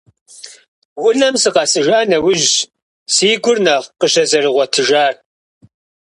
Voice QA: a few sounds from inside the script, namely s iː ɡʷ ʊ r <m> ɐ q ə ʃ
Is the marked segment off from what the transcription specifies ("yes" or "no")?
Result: yes